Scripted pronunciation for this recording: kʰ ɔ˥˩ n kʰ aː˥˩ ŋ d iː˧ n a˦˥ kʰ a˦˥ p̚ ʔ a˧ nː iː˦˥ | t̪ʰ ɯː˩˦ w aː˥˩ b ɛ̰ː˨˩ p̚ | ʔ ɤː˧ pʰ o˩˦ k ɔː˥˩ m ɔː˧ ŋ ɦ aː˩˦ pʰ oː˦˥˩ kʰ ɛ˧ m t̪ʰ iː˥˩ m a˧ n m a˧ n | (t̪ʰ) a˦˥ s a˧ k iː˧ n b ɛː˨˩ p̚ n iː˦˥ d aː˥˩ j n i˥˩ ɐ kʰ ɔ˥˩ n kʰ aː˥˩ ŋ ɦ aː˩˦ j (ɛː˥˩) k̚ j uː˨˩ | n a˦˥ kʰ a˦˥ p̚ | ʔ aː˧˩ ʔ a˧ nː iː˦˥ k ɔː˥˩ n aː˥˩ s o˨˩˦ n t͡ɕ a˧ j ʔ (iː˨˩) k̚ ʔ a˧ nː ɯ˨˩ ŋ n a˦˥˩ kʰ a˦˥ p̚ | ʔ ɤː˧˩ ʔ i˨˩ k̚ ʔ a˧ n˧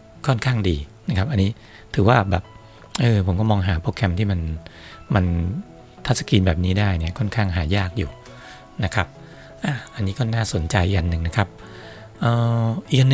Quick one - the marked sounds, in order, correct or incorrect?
correct, incorrect, incorrect

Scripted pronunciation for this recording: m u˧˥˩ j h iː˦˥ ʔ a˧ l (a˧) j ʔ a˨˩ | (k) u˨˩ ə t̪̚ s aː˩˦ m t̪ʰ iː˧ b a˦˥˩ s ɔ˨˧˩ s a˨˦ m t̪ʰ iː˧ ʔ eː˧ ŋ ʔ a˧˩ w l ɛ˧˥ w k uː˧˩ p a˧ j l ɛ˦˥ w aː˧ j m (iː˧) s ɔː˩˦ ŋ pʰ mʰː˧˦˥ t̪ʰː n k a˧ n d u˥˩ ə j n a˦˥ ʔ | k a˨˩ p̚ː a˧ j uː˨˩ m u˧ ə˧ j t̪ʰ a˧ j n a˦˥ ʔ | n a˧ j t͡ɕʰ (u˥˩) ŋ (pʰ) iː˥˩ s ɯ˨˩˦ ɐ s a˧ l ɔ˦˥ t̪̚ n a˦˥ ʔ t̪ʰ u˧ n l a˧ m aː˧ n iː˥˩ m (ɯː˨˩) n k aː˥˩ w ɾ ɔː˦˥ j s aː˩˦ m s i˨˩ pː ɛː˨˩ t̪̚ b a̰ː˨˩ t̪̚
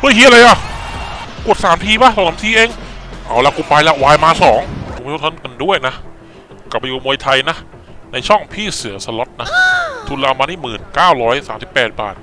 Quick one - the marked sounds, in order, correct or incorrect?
correct, correct, incorrect, incorrect, correct, correct

